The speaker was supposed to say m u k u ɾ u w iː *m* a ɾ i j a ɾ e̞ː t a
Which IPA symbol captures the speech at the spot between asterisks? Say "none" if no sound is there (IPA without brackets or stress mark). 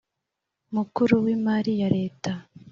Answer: m